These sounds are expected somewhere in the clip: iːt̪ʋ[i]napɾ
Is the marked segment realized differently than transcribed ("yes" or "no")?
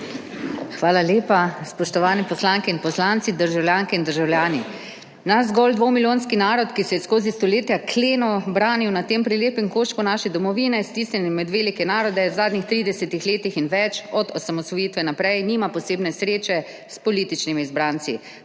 yes